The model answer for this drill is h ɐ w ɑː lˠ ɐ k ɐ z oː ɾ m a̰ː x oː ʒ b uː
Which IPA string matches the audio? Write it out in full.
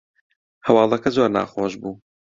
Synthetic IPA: h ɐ w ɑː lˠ ɐ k ɐ z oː ɾ n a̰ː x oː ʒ b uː